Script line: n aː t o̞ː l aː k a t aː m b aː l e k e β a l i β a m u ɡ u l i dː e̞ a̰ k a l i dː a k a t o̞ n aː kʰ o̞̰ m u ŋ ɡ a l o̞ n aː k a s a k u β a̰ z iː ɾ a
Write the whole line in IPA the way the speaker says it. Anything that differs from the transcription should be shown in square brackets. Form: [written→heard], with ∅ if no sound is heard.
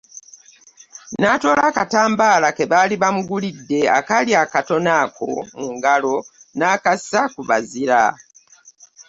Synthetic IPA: n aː t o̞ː l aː k a t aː m b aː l [e→a] k e β a l i β a m u ɡ u l i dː e̞ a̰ k a l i [dː→∅] a k a t o̞ n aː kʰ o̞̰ m u ŋ ɡ a l o̞ n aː k a s a k u β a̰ z [iː→i] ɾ a